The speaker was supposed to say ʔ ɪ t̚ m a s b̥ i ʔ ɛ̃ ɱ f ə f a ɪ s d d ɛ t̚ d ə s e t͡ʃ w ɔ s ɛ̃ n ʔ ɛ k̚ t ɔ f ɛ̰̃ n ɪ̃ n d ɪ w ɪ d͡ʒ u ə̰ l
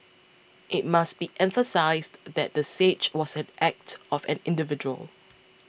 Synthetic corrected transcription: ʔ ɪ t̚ m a s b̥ i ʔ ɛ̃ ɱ f ə s a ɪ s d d ɛ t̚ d ə s e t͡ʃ w ɔ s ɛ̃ n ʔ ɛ k̚ t ɔ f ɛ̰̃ n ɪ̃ n d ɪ v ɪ d͡ʒ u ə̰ l